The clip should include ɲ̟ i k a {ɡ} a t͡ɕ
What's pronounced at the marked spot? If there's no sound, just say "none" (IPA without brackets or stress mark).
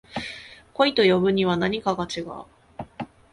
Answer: ɡ